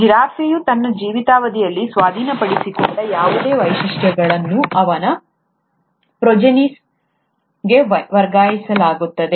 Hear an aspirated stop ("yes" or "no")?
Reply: no